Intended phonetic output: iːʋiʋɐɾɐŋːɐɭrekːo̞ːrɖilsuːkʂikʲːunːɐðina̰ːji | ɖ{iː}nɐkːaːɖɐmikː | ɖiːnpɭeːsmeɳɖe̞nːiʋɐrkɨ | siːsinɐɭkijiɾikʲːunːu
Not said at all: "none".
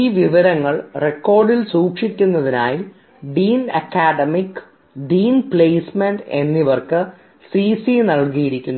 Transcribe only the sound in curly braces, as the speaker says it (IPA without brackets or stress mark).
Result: iː